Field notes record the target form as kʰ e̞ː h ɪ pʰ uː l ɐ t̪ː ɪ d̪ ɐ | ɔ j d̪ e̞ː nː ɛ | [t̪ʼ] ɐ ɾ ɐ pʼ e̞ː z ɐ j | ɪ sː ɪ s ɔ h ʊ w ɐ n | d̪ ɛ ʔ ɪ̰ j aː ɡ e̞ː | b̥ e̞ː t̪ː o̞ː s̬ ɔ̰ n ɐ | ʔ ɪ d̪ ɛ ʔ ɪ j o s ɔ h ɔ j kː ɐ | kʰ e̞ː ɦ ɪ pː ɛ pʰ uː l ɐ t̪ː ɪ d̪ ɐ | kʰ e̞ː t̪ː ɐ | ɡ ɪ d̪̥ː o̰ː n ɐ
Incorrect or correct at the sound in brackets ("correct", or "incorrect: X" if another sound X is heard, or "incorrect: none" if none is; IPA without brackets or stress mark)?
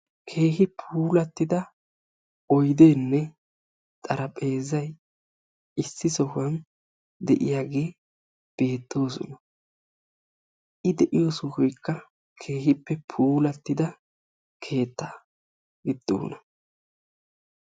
correct